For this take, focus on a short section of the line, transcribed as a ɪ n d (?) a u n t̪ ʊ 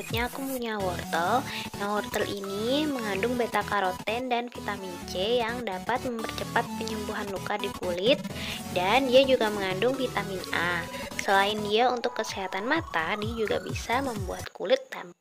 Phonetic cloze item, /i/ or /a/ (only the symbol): i